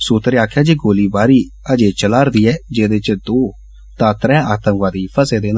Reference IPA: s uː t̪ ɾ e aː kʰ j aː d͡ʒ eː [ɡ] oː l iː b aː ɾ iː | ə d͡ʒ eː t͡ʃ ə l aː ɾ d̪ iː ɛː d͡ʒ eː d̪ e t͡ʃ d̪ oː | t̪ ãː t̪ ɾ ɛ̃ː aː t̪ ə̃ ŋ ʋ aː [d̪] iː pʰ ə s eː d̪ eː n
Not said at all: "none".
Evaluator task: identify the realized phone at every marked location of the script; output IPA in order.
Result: ɡ, d̪

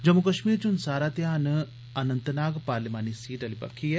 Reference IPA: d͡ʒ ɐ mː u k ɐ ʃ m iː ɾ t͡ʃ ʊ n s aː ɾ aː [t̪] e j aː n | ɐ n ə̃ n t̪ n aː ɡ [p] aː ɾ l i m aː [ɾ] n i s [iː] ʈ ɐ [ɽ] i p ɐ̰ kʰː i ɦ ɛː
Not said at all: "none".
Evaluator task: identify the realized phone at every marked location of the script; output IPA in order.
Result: t̪, p, none, iː, l

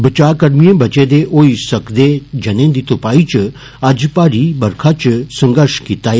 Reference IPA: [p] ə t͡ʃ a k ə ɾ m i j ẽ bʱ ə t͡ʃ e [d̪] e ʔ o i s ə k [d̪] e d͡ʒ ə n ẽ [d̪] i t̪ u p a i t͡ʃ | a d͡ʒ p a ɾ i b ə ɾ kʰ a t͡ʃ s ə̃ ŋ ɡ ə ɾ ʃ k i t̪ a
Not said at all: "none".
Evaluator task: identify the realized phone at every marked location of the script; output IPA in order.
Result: b, d̪, d̪, d̪

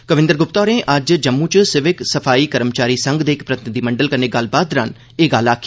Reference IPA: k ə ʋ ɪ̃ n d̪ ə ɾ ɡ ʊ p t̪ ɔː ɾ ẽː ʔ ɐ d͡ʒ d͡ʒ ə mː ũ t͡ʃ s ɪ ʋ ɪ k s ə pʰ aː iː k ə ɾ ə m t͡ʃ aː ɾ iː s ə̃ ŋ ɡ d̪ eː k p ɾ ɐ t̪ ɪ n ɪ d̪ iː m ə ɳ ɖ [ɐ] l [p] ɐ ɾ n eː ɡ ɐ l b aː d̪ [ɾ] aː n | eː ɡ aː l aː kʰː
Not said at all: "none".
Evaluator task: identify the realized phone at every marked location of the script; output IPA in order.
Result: ə, k, ɾ

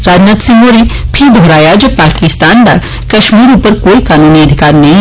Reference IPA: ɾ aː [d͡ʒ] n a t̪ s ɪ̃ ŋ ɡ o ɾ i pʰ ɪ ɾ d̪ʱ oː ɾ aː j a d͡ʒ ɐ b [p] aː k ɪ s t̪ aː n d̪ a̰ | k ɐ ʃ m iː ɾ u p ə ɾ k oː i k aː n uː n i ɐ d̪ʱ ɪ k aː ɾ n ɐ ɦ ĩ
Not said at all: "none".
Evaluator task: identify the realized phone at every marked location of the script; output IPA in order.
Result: d͡ʒ, p

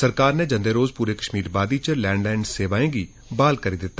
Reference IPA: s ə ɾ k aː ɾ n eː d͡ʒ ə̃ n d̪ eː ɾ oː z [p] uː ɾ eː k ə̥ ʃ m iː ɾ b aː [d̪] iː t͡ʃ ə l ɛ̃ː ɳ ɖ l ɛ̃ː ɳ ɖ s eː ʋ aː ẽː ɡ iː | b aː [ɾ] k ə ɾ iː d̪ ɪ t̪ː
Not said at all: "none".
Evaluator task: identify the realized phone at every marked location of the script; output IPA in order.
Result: p, d̪, l

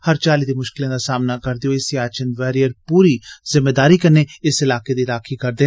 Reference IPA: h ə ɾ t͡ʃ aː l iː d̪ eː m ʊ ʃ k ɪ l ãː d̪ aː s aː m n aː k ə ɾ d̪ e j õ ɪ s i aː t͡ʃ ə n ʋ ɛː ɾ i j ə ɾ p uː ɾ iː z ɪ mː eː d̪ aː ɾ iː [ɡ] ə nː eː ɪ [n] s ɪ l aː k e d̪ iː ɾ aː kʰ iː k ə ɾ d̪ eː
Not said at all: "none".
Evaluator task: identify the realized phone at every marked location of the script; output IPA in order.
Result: k, none

